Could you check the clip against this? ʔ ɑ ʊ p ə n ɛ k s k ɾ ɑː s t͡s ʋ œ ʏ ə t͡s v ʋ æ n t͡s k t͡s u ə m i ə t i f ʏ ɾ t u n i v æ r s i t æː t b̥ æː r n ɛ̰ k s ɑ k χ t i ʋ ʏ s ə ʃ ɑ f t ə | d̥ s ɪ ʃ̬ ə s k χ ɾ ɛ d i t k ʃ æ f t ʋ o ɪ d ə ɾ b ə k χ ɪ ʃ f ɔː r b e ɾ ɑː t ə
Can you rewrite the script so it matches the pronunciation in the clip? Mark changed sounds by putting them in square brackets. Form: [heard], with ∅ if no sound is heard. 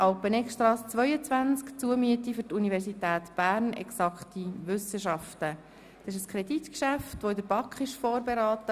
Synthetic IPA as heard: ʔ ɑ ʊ p ə n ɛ k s [t] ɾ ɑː s t͡s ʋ œ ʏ ə t͡s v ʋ æ n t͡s k t͡s u ə m [y] ə t i f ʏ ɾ t u n i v [ɛ] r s i t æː t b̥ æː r n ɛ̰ k s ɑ k χ t i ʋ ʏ s ə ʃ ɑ f t ə | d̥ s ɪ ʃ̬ ə s k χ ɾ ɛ d i t k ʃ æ f t ʋ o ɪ d ə ɾ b [ɑ] k χ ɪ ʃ f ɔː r b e ɾ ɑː t ə

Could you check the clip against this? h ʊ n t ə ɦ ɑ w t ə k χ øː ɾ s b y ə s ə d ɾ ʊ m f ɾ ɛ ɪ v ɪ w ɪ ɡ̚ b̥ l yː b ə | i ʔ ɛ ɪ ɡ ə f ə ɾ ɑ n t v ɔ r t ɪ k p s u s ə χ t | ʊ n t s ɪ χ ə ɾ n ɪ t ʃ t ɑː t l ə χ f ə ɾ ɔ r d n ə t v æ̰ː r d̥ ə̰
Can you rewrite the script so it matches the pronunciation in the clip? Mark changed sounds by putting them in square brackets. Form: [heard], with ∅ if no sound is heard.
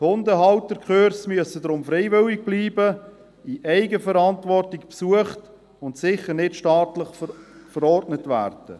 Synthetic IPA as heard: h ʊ n [d] ə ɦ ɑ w t ə k χ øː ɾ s [m] y ə s ə d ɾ ʊ m f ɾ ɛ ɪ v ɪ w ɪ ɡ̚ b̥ l [iː] b ə | i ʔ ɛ ɪ ɡ ə f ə ɾ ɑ n t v ɔ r t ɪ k p s u [∅] ə χ t | ʊ n t s ɪ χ ə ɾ n ɪ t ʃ t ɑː t l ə χ f ə ɾ ɔ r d n ə t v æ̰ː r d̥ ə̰

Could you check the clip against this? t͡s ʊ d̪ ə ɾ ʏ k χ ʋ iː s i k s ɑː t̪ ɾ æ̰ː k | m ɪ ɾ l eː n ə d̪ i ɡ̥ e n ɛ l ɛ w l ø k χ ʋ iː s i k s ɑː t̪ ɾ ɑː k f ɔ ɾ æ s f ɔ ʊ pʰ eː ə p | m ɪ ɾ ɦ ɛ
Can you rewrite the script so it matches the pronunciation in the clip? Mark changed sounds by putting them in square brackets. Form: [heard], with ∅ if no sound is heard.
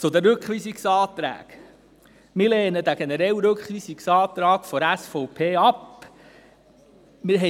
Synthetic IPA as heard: t͡s ʊ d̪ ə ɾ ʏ k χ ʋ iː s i k s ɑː t̪ ɾ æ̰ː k | m ɪ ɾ l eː n ə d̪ [æ] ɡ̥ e n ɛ [ɾ] ɛ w [ɾ] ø k χ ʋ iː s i k s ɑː t̪ ɾ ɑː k f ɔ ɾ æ s f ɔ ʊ pʰ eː [ɑ] p | m ɪ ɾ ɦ ɛ

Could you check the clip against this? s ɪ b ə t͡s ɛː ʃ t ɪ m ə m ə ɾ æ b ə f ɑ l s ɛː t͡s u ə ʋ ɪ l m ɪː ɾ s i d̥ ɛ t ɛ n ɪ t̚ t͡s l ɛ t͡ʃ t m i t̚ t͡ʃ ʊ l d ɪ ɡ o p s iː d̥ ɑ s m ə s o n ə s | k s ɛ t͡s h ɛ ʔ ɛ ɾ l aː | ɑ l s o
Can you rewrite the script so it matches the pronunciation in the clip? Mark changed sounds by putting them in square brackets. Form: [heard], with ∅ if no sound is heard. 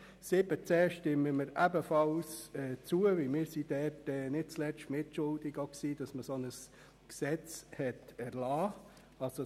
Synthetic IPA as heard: s ɪ b ə t͡s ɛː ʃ t ɪ m ə m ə ɾ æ b ə f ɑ l s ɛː t͡s u ə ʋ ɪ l m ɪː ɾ s i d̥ ɛ t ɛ n ɪ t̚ t͡s l ɛ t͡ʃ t m [ɪ] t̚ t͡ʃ ʊ l d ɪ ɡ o [k] s iː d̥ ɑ s m ə s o n ə s | k s ɛ t͡s h ɛ [t] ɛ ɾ l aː | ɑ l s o

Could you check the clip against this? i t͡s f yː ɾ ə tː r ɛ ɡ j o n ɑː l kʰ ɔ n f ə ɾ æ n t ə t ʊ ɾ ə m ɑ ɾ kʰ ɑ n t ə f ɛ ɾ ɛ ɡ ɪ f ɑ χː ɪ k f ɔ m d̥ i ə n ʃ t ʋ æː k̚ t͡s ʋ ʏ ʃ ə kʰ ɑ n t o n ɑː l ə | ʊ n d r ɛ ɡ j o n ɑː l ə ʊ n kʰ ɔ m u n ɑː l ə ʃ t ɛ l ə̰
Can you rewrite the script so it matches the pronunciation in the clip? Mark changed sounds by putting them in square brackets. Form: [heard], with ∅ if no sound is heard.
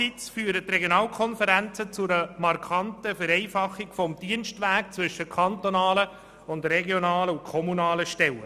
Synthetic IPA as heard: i t͡s f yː ɾ ə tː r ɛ ɡ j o n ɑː l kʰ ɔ n f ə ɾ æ n [t͡s] ə [t͡s] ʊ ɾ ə m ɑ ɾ kʰ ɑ n t ə f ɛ ɾ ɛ [∅] ɪ f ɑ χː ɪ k f ɔ m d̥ i ə n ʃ t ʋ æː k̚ t͡s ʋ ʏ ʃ ə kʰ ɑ n t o n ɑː l ə | ʊ n d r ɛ ɡ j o n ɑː l ə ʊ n kʰ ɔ m u n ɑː l ə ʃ t ɛ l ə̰

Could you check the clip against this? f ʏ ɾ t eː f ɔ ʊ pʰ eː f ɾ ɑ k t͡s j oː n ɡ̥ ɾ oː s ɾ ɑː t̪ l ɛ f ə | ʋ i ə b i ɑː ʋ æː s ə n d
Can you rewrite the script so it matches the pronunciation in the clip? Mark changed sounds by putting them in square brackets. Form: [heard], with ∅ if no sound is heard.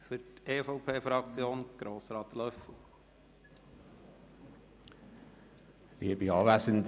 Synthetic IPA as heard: f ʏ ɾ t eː f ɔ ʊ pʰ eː f ɾ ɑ k t͡s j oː n ɡ̥ ɾ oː s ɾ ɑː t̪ l [œ] f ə | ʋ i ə b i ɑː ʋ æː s ə n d

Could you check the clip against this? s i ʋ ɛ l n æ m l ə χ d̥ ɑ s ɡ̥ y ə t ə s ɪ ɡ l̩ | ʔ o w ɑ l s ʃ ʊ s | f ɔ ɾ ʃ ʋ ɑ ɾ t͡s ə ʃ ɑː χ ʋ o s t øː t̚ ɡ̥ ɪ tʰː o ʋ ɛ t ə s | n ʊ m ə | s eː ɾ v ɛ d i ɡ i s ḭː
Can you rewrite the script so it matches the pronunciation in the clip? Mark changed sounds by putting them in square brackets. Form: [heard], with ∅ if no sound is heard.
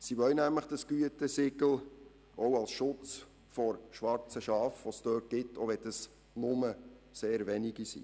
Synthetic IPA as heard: s i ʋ [œ] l n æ m l ə χ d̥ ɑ s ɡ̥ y ə t ə s ɪ ɡ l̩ | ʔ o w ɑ l s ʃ ʊ [t͡s] | f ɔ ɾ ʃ ʋ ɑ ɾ t͡s ə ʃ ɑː [f] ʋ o s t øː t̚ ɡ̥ ɪ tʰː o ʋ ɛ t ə s | n ʊ m ə | s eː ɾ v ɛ [n] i ɡ i s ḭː

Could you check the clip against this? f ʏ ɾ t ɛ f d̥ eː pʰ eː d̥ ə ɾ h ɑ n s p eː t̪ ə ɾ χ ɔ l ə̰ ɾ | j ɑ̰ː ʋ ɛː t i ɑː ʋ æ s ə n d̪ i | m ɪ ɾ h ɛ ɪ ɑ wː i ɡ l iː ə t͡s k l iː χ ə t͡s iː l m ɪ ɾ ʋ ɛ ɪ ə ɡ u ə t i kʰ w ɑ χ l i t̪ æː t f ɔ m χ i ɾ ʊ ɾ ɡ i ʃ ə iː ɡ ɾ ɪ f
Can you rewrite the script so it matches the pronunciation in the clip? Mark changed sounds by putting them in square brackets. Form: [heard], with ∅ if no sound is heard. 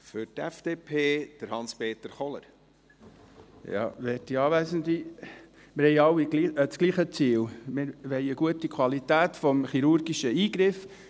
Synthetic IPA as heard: f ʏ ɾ t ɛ f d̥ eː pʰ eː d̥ ə ɾ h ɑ n s p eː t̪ ə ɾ χ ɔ l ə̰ ɾ | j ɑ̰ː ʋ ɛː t i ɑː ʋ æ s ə n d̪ i | m ɪ ɾ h ɛ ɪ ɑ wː i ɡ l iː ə t͡s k l iː χ ə t͡s iː l m ɪ ɾ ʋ ɛ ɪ ə ɡ u ə t i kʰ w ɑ [∅] l i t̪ æː t f ɔ m χ i ɾ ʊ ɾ ɡ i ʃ ə iː ɡ ɾ ɪ f

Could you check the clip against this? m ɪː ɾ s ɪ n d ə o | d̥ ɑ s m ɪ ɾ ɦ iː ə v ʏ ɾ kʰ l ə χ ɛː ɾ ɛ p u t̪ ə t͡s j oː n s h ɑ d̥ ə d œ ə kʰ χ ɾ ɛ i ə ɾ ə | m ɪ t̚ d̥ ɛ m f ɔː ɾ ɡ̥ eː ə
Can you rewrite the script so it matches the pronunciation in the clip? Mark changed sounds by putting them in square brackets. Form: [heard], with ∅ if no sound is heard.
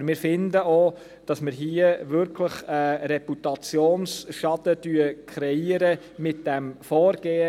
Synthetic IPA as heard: m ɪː ɾ [f] ɪ n d ə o | d̥ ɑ s m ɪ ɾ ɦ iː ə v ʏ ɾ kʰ l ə χ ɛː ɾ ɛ p u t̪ [ɑ] t͡s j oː n s [ʃ] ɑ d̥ ə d [y] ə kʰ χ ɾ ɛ i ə ɾ ə | m ɪ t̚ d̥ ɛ m f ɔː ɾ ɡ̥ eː ə

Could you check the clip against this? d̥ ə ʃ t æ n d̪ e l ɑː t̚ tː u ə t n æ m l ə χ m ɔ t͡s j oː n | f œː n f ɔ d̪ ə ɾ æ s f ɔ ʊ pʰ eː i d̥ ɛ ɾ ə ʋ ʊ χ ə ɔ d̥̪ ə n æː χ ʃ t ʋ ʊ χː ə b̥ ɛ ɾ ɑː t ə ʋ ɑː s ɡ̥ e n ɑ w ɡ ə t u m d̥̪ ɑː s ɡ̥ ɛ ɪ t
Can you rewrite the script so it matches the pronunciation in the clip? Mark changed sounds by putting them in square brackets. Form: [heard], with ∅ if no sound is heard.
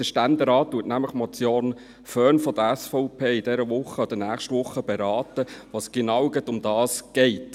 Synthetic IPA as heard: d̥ ə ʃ t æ n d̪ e [ɾ] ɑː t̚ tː u ə t n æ m l ə χ m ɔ t͡s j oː n | f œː n f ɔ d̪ ə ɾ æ s f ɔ ʊ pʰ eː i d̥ ɛ ɾ ə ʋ ʊ χ ə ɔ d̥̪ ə n æː χ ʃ t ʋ ʊ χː ə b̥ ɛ ɾ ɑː t ə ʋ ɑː s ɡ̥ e n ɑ w ɡ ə t [ʊ] m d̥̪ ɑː s ɡ̥ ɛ ɪ t

